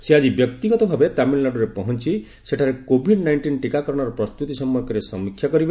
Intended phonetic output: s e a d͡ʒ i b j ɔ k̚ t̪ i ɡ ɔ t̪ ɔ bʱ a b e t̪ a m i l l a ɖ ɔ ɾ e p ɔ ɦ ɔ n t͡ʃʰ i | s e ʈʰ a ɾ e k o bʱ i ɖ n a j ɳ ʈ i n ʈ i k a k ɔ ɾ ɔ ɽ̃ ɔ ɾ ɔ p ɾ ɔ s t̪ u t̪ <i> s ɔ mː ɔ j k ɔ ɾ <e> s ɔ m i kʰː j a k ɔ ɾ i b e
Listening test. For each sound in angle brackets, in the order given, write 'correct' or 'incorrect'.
correct, correct

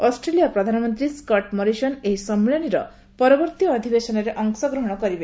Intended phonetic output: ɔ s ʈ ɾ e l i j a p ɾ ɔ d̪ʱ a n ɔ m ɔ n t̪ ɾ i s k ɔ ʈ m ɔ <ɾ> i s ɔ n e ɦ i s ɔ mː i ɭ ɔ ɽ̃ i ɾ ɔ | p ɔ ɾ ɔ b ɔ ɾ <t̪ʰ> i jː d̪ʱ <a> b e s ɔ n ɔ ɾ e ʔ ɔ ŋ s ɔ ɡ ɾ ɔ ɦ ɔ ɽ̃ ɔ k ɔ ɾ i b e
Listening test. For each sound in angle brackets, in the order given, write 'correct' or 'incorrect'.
correct, incorrect: t̪, incorrect: i

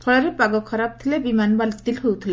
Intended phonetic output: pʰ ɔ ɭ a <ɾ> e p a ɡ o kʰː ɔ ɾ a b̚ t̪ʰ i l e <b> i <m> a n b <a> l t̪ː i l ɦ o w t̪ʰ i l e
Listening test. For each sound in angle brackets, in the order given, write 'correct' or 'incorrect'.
correct, correct, correct, correct

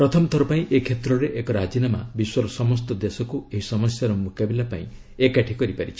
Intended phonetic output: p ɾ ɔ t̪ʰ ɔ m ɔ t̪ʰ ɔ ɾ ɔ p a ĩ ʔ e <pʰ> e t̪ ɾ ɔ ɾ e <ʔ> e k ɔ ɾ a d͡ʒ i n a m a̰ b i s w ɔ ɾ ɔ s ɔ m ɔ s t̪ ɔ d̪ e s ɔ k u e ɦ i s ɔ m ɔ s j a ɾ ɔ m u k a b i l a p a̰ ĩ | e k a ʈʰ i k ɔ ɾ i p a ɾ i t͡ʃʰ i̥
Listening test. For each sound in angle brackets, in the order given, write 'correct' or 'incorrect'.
incorrect: kʰ, correct

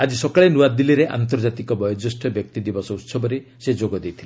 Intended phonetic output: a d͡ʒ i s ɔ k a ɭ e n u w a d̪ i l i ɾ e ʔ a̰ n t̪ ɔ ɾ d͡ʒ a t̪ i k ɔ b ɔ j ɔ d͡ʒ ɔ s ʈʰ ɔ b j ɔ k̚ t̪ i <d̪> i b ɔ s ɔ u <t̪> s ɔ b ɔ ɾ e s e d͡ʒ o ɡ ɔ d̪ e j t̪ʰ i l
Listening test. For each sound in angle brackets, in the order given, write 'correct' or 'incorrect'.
correct, correct

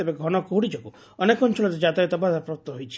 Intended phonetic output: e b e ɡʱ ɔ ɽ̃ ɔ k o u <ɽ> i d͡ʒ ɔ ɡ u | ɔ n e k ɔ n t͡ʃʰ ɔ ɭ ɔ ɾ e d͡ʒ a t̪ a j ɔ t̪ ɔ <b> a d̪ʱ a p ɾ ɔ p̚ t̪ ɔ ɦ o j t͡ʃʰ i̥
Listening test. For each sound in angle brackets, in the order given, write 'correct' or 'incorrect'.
correct, correct

